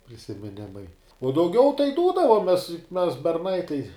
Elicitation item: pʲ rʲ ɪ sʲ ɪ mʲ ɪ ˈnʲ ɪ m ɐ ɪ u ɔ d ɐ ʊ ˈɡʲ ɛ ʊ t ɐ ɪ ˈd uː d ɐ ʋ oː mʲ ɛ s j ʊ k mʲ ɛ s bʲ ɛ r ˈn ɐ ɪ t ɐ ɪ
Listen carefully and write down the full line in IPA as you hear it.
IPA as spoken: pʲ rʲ ɪ sʲ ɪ mʲ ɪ ˈnʲ ɪ m ɐ ɪ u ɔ d ɐ ʊ ˈɡʲ ɛ ʊ t ɐ ɪ ˈd uː d ɐ ʋ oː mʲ ɛ s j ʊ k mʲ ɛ s bʲ ɛ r ˈn ɐ ɪ t ɐ ɪ